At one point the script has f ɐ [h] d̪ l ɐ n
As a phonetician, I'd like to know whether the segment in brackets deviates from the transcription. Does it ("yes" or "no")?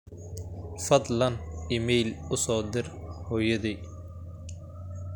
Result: yes